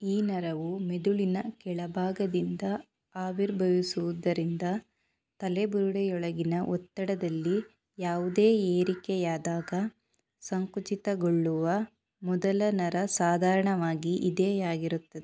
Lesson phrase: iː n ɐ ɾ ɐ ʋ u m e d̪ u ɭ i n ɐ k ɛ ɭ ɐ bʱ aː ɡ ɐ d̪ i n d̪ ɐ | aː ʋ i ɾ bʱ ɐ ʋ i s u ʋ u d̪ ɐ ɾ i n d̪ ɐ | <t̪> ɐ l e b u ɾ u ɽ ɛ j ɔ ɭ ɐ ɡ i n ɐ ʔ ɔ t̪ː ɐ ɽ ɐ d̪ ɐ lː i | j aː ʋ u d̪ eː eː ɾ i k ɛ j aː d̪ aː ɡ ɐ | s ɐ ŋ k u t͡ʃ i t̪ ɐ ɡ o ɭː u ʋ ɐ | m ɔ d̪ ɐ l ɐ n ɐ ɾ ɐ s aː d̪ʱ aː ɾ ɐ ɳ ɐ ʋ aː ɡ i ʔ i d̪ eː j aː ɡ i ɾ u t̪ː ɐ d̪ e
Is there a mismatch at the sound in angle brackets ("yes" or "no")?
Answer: no